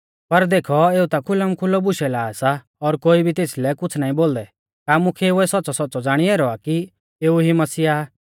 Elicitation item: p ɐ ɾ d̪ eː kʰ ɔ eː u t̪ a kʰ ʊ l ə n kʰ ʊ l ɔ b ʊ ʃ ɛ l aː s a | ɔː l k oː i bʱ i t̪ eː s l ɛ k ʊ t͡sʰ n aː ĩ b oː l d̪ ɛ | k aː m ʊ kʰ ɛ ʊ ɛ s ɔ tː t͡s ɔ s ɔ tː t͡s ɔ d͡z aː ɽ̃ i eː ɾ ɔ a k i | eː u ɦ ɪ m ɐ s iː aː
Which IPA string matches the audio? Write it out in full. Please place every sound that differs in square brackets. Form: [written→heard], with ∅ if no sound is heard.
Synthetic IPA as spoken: p ɐ ɾ d̪ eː kʰ ɔ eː u t̪ a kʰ ʊ l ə [n→m] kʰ ʊ l ɔ b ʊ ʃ ɛ l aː s a | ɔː [l→ɾ] k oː i bʱ i t̪ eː s l ɛ k ʊ t͡sʰ n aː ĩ b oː l d̪ ɛ | k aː m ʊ kʰ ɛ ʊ ɛ s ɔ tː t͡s ɔ s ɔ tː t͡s ɔ d͡z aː ɽ̃ i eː ɾ ɔ a k i | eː u ɦ [ɪ→i] m ɐ s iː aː